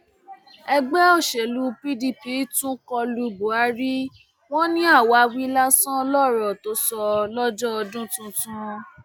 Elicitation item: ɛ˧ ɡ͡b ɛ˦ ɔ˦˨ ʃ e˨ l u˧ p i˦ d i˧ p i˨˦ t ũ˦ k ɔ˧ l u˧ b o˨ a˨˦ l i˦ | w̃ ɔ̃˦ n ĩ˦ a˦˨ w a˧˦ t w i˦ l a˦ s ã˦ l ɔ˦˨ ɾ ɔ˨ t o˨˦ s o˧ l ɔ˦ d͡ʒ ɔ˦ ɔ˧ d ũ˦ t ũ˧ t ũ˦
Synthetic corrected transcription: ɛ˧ ɡ͡b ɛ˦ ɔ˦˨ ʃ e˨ l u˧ p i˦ d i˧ p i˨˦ t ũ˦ k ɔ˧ l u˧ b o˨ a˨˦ ɾ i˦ | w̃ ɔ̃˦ n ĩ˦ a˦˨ w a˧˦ w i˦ l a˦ s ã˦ l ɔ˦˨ ɾ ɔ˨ t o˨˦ s ɔ˧ l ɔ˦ d͡ʒ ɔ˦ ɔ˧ d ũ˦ t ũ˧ t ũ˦